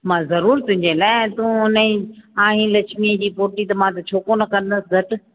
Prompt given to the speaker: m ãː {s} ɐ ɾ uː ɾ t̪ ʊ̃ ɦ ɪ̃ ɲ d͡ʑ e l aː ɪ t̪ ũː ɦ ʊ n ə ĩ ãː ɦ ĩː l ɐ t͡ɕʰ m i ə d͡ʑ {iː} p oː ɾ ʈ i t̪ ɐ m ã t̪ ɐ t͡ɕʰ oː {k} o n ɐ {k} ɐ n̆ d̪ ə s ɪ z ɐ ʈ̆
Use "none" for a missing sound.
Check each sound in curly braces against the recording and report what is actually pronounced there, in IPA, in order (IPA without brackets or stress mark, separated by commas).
z, iː, k, k